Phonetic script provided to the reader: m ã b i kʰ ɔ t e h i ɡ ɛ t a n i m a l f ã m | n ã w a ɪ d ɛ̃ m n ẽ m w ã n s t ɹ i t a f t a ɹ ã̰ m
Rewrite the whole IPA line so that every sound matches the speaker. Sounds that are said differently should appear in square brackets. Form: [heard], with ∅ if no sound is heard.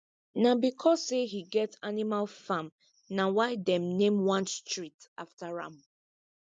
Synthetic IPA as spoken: [n] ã b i kʰ ɔ [s] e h i ɡ ɛ t a n i m a l f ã m | n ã w a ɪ d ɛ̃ m n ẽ m w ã n s t ɹ i t a f t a ɹ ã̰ m

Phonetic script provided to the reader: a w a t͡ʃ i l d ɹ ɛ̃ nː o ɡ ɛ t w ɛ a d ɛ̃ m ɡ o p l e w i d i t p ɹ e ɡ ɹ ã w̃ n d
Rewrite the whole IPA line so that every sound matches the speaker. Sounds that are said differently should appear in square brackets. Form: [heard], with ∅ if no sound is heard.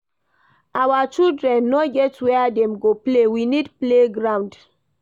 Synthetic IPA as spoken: a w a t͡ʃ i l d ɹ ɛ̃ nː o ɡ ɛ t w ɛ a d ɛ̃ m ɡ o p l e w i [n] i [d] p [l] e ɡ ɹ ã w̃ n d

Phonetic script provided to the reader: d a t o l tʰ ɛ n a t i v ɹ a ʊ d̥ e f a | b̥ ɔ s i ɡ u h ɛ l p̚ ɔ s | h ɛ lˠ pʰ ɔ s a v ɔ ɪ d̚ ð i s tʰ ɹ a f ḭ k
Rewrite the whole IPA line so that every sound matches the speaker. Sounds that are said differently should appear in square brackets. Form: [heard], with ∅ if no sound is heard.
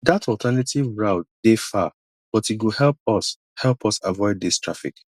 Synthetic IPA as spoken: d a t [ɔ] l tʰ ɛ n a t i v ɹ a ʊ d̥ e f a | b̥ ɔ [t] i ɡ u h ɛ l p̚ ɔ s | h ɛ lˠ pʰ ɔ s a v ɔ ɪ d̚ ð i s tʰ ɹ a f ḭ k

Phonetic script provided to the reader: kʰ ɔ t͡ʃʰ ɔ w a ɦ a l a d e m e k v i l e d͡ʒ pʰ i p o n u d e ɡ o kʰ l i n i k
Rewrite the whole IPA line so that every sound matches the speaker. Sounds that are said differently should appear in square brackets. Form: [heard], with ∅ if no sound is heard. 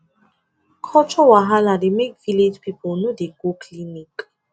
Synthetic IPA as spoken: kʰ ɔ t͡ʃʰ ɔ w a ɦ a l a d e m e k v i l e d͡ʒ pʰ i p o n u d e ɡ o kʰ l i n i k

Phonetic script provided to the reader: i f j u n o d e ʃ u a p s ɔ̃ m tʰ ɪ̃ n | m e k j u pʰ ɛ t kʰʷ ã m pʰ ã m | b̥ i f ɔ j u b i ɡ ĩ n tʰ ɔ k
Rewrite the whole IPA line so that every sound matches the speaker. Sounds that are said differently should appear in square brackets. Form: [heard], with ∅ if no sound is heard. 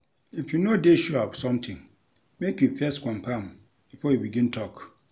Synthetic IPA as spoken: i f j u n o d e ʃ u a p s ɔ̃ m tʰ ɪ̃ [ŋ] | m e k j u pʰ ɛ [s] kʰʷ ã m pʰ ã m | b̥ i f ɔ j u b i ɡ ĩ n tʰ ɔ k

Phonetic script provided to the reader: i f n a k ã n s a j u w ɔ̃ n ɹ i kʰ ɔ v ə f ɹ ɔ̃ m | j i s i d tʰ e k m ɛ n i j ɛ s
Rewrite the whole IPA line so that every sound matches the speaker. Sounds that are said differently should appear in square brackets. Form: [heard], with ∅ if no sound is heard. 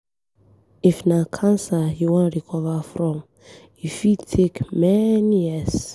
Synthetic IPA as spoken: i f n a [kʰ] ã n s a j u w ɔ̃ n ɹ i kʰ ɔ v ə f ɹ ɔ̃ m | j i [f] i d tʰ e k m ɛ n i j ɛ s

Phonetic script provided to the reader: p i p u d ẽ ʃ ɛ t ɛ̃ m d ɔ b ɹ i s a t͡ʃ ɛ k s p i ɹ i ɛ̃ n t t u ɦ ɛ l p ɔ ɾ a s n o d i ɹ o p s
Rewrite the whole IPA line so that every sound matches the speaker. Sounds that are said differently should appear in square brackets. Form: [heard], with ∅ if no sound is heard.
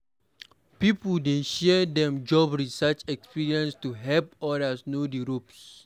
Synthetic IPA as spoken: p i p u d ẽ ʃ ɛ [d] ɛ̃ m [d͡ʒ] ɔ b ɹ i s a t͡ʃ ɛ k s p i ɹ i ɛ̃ n [s] t u ɦ ɛ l p ɔ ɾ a s n o d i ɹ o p s

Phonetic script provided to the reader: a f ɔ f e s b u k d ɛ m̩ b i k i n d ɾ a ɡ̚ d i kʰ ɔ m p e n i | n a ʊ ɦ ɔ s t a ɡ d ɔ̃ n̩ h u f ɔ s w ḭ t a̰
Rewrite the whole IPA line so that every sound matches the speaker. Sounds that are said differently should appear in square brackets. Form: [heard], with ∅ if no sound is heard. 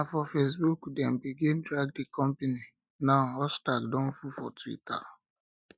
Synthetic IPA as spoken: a f ɔ f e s b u k d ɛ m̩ b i [ɡ] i n d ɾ a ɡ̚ d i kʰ ɔ m p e n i | n a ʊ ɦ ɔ s t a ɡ d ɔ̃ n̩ [f] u f ɔ [t] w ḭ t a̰

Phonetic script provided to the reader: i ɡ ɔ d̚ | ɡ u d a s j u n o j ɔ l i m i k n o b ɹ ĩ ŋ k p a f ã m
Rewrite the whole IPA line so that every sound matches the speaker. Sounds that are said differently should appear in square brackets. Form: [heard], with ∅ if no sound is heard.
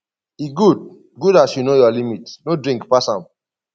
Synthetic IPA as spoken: i ɡ [u] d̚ | ɡ u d a s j u n o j ɔ l i m i [t] n o [d] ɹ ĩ ŋ k p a [s] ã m

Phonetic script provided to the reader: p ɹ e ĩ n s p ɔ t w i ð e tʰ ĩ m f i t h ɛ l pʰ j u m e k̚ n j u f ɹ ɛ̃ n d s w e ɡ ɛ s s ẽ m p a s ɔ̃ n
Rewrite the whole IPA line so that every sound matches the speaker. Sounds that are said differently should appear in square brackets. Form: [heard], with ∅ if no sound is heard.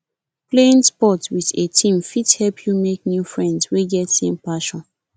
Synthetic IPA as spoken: p [l] e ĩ n s p ɔ t w i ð e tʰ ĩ m f i t h ɛ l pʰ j u m e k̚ n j u f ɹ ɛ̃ n d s w e ɡ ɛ [t] s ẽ m p a [ʃ] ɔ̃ n

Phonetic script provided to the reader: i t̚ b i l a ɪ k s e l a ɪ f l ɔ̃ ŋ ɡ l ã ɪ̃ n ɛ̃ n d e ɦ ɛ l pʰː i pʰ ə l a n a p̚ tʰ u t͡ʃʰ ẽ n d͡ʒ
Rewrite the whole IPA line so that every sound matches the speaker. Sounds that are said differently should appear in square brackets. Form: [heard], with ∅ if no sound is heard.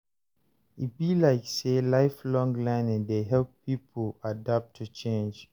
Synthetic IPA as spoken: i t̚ b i l a ɪ k s e l a ɪ f l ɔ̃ ŋ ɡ l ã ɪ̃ n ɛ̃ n d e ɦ ɛ l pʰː i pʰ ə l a [d] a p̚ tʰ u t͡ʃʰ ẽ n d͡ʒ

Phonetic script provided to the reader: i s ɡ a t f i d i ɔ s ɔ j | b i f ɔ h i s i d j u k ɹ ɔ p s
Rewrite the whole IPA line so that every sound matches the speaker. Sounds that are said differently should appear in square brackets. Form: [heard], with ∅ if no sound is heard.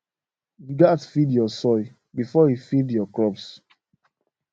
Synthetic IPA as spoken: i [∅] ɡ a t f i d [j] ɔ s ɔ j | b i f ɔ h i [f] i d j [ɔ] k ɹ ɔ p s

